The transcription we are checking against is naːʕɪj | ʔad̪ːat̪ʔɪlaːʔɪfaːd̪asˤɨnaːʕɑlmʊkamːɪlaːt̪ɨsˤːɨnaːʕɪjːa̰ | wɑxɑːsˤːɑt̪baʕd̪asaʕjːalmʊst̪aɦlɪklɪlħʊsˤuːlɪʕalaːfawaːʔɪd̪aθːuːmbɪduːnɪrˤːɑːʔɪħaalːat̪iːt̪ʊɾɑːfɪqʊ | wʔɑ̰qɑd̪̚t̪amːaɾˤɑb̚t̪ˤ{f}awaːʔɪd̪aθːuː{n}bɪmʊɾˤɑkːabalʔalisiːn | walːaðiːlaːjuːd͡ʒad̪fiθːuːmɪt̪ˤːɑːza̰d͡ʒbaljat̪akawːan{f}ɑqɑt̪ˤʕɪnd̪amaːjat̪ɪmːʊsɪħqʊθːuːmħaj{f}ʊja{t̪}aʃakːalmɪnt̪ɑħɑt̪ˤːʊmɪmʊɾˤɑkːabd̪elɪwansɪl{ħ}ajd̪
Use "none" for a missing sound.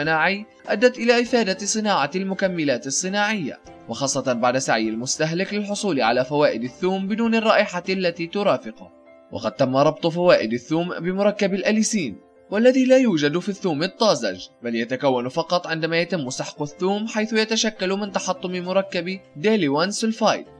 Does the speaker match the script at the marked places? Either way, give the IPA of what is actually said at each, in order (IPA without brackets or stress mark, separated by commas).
f, m, f, θ, t̪, f